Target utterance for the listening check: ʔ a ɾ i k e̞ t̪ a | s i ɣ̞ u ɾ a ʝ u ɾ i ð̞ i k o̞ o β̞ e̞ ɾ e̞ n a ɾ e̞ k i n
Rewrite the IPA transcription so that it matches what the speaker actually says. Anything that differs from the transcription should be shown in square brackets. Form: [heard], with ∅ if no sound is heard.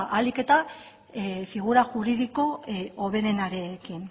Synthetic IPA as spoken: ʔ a [l] i k e̞ t̪ a | [f] i ɣ̞ u ɾ a ʝ u ɾ i ð̞ i k o̞ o β̞ e̞ ɾ e̞ n a ɾ e̞ k i n